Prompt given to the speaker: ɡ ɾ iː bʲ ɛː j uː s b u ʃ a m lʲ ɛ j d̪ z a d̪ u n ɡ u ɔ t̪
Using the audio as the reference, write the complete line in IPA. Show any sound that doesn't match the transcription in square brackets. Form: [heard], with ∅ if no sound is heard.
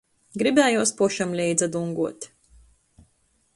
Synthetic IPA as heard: ɡ ɾ [i] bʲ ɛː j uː s [p] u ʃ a m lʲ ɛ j d̪ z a d̪ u [ŋ] ɡ u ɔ t̪